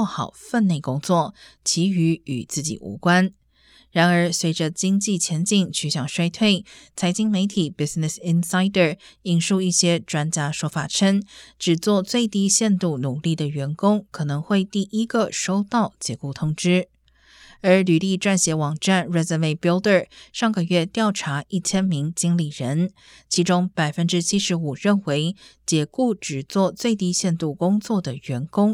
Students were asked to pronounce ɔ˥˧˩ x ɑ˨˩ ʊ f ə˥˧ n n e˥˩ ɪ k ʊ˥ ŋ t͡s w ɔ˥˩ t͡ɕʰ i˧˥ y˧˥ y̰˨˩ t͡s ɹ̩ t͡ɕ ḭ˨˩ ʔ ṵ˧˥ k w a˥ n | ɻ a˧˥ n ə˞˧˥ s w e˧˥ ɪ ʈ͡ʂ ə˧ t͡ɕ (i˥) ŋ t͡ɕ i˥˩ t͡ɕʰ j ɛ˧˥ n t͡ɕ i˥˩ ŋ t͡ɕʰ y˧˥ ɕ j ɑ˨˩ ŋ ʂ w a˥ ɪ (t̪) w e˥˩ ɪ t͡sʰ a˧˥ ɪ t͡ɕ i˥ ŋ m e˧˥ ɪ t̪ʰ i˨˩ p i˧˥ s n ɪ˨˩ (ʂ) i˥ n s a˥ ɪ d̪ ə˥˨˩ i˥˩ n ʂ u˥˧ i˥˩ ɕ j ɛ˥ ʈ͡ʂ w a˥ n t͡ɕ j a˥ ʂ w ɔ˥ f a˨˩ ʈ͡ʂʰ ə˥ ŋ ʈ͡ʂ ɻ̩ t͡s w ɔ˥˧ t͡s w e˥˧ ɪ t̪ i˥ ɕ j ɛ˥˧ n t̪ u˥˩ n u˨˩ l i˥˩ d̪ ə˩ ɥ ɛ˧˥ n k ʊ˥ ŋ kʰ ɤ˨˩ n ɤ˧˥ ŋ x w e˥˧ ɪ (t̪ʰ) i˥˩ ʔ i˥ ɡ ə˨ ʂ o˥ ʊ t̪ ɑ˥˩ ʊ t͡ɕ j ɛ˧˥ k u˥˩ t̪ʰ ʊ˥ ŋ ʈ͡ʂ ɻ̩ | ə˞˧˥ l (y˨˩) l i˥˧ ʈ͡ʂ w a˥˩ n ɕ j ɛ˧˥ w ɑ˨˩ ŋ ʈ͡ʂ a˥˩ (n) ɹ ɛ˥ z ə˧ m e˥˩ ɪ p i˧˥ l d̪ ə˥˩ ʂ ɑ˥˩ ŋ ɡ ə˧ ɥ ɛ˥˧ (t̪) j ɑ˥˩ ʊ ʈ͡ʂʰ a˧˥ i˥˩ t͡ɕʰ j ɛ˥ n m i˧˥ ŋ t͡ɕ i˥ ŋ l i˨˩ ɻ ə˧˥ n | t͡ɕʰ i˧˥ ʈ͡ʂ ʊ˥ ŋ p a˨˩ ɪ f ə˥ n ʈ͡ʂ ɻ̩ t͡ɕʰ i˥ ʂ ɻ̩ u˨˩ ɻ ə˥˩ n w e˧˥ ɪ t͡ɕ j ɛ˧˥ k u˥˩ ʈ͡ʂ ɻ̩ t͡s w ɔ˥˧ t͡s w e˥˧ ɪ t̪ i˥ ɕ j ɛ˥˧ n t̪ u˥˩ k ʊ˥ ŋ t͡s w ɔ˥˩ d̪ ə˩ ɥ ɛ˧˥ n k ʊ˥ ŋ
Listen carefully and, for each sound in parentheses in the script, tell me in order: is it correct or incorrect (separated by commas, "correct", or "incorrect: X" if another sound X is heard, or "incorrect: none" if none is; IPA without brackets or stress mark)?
correct, incorrect: t̪ʰ, incorrect: s, incorrect: t̪, correct, correct, correct